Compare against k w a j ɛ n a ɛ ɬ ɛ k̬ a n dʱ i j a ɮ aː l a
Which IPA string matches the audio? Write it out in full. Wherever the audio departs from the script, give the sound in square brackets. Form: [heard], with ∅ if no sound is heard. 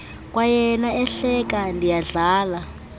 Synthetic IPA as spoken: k w a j ɛ n a ɛ ɬ ɛ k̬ a n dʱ i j a ɮ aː l a